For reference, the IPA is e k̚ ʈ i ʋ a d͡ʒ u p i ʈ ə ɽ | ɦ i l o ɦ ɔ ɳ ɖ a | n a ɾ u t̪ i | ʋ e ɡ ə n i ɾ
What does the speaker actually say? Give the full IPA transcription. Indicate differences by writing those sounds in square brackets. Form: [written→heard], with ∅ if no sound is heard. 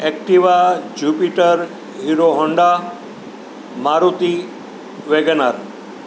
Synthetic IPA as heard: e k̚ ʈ i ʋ a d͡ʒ u p i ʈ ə [ɽ→ɾ] | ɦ i [l→ɾ] o ɦ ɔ ɳ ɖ a | [n→m] a ɾ u t̪ i | ʋ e ɡ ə n [i→a] ɾ